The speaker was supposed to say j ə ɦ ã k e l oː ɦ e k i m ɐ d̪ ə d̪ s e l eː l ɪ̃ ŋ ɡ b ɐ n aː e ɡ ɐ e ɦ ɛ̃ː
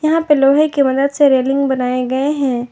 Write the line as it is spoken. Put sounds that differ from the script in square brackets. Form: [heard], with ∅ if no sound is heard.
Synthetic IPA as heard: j [ɐ] ɦ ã [p] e l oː ɦ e k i m ɐ d̪ ə d̪ s e [ɾ] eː l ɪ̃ ŋ ɡ b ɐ n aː e ɡ ɐ e ɦ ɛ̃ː